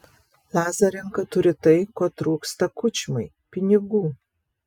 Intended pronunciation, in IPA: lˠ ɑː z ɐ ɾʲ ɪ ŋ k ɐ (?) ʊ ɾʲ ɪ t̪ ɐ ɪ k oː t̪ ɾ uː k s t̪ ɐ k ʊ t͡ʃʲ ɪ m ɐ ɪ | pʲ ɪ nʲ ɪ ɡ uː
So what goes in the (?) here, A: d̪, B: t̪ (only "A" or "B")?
B